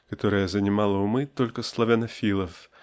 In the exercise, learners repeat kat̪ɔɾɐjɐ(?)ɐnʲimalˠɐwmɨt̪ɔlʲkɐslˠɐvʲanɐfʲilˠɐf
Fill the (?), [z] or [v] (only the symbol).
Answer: z